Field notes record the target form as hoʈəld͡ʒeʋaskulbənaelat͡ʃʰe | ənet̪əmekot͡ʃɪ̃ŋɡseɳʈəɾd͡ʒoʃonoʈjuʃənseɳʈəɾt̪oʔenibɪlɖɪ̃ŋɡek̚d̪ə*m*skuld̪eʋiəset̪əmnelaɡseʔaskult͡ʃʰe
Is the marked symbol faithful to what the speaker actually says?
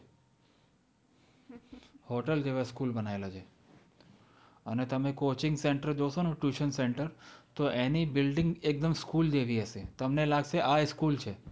yes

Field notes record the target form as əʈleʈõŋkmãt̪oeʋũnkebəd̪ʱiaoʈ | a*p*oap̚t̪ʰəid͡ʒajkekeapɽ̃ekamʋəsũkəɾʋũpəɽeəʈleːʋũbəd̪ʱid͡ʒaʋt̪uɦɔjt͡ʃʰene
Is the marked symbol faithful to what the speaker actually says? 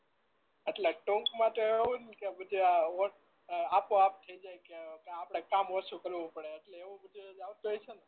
yes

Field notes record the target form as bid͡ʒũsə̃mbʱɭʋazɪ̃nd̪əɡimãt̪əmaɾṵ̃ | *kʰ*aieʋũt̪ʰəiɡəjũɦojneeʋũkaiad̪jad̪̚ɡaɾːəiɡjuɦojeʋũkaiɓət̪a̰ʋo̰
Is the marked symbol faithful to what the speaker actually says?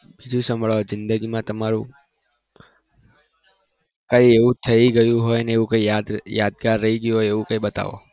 no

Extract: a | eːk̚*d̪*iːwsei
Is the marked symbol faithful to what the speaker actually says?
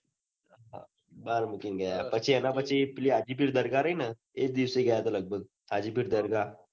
yes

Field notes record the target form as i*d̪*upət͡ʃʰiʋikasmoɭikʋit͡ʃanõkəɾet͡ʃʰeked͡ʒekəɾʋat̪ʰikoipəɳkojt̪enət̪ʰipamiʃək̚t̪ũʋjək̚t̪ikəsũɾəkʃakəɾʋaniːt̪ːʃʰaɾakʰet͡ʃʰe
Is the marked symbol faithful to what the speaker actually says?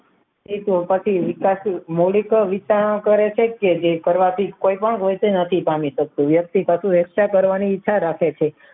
no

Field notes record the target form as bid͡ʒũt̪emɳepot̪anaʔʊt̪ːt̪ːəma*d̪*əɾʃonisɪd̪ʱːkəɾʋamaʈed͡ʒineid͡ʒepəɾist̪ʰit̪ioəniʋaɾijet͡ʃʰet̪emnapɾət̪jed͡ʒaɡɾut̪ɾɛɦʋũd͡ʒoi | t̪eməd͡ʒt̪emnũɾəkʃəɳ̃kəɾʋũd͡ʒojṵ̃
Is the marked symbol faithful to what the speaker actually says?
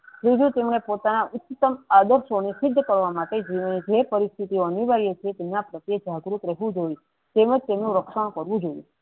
yes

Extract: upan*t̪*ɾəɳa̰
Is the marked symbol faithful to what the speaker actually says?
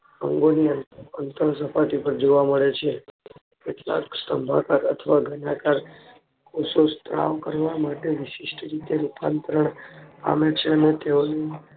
yes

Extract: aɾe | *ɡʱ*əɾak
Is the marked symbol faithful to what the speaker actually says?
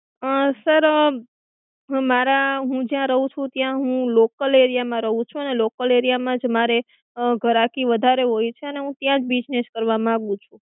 yes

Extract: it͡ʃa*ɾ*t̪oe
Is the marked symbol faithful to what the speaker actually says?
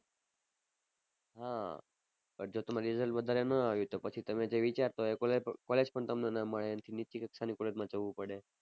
yes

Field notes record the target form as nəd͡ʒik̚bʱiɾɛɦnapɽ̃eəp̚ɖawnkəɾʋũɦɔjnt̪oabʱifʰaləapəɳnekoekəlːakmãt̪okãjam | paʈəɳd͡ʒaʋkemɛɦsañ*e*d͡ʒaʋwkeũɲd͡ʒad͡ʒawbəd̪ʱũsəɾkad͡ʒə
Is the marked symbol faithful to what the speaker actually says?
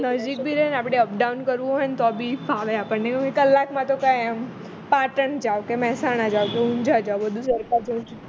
no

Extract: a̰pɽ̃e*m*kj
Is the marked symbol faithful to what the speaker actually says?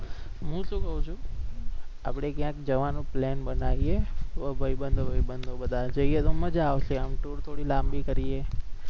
no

